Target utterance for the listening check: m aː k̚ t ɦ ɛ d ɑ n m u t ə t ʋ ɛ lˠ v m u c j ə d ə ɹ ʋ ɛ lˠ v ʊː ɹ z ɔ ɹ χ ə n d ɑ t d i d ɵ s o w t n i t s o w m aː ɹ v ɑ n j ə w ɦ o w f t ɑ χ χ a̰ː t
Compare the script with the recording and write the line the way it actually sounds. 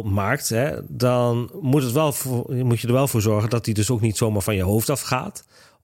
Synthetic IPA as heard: m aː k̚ t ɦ ɛ d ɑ n m u t ə t ʋ ɛ lˠ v m u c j ə d ə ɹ ʋ ɛ lˠ v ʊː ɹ z ɔ ɹ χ ə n d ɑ t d i d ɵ s o w k n i t s o w m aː ɹ v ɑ n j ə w ɦ o w f t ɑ f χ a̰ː t